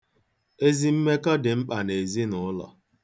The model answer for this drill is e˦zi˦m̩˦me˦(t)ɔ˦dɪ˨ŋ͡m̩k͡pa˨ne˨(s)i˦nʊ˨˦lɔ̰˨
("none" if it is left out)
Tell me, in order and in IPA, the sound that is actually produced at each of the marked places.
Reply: k, z

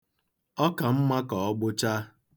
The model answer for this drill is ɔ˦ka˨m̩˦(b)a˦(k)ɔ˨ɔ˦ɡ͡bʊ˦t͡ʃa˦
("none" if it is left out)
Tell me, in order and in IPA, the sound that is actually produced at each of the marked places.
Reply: m, k

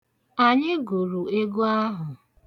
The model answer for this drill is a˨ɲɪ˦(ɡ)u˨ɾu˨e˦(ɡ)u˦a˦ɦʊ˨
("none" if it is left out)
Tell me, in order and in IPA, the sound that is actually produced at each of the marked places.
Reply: ɡ, ɡ

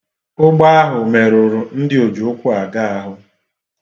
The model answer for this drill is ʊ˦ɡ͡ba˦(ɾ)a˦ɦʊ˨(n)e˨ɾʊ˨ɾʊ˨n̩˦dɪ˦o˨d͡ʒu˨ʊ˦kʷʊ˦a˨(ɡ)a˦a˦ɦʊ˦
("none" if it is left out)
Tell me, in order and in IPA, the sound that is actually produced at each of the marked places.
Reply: none, m, ɡ

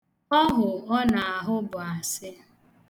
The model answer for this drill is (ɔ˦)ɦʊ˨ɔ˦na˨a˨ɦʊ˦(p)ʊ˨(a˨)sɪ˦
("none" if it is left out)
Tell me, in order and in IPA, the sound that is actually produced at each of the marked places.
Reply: ɔ˦, b, a˨

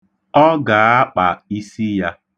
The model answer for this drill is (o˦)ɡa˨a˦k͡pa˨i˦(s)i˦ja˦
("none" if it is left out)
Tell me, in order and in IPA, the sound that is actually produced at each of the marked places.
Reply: ɔ˦, s

